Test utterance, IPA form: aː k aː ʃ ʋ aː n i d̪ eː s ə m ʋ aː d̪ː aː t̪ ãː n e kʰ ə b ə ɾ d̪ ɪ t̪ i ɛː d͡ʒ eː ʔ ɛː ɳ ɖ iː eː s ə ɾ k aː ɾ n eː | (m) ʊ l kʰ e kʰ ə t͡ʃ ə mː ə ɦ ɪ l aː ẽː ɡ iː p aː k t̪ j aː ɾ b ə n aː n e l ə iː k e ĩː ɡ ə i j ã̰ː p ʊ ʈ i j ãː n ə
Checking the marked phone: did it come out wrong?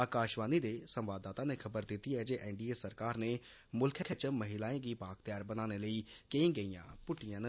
no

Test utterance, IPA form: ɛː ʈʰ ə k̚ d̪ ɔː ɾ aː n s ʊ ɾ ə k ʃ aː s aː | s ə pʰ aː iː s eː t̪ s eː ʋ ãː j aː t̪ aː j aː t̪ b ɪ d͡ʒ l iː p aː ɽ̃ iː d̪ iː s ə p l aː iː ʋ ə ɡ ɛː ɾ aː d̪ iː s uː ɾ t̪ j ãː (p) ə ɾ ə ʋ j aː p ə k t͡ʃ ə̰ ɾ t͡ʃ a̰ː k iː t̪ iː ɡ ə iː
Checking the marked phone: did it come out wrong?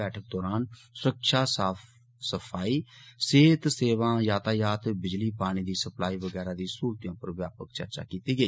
no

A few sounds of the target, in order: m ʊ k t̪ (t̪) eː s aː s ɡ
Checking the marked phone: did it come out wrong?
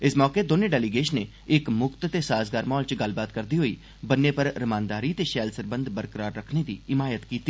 no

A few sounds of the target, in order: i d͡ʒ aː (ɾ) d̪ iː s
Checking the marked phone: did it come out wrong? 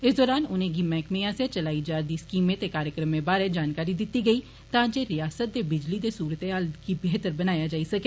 no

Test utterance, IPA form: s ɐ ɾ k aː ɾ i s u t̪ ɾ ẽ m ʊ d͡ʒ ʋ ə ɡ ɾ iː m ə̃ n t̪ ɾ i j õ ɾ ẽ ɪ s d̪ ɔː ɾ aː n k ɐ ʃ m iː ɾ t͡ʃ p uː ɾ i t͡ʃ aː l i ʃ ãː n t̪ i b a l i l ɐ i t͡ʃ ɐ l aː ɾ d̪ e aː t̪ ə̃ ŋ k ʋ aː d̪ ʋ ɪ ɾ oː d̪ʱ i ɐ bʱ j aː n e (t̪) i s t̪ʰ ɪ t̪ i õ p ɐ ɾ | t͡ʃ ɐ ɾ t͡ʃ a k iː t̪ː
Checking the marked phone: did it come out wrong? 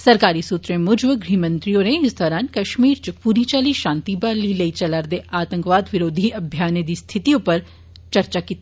yes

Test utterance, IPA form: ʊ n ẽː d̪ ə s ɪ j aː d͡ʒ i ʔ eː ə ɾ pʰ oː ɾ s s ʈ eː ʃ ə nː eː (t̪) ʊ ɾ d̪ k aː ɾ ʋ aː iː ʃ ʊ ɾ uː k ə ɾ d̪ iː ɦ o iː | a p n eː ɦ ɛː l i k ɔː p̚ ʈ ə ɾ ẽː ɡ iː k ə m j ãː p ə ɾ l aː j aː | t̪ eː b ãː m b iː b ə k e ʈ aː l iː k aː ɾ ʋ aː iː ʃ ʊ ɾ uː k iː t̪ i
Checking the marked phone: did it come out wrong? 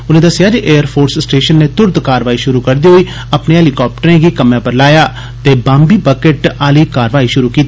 no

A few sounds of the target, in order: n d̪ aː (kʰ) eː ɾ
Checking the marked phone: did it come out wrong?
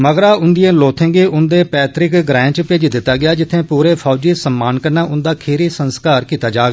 no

